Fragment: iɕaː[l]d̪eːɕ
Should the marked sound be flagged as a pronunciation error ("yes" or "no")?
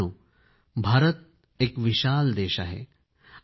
no